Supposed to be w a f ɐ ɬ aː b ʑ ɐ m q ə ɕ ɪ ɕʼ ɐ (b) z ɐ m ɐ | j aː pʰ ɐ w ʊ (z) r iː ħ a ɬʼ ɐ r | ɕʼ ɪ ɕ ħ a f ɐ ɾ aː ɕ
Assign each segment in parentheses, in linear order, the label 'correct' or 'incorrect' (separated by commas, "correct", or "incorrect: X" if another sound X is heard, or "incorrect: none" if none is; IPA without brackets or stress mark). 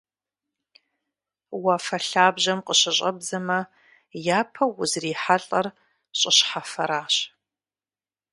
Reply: correct, correct